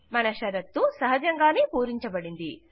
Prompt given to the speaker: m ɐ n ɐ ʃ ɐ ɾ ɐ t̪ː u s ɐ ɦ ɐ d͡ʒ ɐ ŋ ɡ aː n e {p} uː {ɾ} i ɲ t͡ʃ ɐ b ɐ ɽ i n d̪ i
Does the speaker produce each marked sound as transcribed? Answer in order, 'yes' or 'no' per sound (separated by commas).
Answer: yes, yes